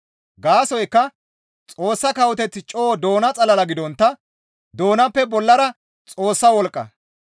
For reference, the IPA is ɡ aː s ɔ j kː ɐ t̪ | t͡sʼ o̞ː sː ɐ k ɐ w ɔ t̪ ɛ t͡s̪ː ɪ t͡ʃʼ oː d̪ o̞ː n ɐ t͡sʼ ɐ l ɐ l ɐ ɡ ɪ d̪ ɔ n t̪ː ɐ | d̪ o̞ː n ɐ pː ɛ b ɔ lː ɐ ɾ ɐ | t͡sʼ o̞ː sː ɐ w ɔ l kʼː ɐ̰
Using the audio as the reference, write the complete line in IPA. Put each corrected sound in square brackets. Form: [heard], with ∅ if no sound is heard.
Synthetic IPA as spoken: ɡ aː s ɔ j kː ɐ [∅] | t͡sʼ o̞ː sː ɐ k ɐ w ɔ t̪ ɛ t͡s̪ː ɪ t͡ʃʼ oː d̪ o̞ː n ɐ t͡sʼ ɐ l ɐ l ɐ ɡ ɪ d̪ ɔ n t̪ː ɐ | d̪ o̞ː n ɐ pː ɛ b ɔ lː ɐ ɾ ɐ | t͡sʼ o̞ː sː ɐ w ɔ l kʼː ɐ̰